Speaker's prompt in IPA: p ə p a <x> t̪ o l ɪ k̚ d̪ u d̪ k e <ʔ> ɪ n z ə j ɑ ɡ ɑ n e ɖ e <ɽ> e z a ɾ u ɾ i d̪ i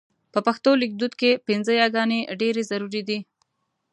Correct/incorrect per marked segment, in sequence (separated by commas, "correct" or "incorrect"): correct, incorrect, incorrect